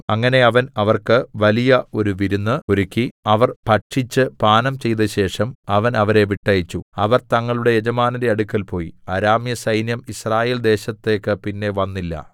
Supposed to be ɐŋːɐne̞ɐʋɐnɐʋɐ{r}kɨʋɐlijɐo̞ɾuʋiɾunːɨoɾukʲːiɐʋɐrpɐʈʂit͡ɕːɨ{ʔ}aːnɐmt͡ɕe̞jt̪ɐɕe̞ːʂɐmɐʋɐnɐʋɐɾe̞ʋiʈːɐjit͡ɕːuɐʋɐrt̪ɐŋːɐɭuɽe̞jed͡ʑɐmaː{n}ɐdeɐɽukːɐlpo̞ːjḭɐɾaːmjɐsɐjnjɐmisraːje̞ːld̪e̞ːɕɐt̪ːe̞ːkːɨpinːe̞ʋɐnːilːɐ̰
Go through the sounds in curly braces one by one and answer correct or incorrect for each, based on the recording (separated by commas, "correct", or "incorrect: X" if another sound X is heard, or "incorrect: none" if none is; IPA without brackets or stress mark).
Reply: correct, incorrect: p, correct